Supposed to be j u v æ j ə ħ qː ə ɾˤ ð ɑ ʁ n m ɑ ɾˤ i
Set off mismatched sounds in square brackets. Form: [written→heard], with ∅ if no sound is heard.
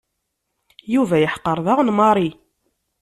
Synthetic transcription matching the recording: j u v æ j ə ħ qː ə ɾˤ ð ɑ ʁ n m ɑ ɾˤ i